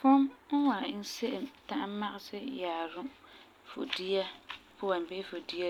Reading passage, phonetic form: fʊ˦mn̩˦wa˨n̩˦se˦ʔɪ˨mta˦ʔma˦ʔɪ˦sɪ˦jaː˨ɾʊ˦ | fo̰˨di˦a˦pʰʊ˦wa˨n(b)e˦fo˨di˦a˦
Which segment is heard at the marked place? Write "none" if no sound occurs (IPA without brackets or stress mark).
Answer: b